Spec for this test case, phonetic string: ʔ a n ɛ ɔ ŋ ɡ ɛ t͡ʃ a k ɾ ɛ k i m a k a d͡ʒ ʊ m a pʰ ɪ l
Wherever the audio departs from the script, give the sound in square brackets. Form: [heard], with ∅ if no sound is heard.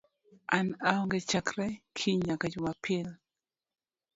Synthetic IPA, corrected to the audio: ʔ a n [a] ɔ ŋ ɡ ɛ t͡ʃ a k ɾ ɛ [kʰ] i [ɲ] a k a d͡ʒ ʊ m a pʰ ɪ l